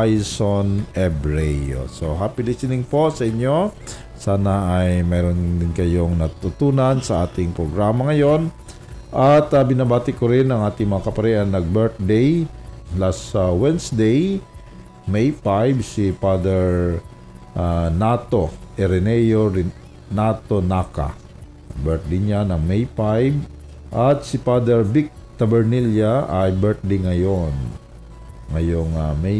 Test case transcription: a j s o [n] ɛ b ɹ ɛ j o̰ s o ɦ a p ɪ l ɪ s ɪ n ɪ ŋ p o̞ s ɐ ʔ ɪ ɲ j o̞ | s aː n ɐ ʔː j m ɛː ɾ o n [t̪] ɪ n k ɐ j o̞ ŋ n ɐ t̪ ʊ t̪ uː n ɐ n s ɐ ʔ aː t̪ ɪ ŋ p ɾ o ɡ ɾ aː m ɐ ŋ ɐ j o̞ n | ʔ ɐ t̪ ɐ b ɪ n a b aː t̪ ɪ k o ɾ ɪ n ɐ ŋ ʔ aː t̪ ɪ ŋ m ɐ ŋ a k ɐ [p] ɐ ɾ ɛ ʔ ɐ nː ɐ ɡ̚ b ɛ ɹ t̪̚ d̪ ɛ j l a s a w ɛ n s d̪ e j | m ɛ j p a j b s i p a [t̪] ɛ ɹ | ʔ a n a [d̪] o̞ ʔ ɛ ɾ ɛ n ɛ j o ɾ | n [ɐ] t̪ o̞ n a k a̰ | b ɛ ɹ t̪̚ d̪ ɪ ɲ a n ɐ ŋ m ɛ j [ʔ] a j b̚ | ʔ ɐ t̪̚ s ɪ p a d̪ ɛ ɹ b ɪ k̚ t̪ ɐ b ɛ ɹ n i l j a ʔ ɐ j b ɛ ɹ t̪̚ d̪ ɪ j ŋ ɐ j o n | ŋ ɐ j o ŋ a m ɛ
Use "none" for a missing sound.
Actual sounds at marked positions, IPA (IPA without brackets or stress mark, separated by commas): n, d̪, p, d̪, t̪, a, p